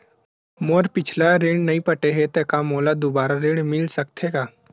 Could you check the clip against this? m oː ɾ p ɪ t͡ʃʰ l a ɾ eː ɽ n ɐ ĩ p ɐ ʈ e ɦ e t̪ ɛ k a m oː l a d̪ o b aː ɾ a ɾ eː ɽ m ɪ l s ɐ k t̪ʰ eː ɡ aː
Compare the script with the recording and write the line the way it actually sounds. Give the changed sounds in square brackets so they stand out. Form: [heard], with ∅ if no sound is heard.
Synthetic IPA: m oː ɾ p ɪ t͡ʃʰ l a ɾ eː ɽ n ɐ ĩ p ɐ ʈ e ɦ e t̪ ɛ k a m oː l a d̪ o b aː ɾ a ɾ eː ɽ m ɪ l s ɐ k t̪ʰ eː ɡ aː